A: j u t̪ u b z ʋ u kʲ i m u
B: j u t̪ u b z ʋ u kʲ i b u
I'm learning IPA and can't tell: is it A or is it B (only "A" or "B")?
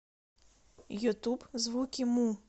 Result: A